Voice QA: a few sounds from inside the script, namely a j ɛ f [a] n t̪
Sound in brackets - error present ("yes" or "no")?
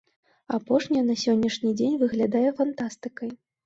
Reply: no